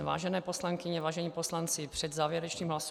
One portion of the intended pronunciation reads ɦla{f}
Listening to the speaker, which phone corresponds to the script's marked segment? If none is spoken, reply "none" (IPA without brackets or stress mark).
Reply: s